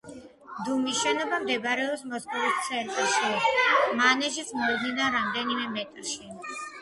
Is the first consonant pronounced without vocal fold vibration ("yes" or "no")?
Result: no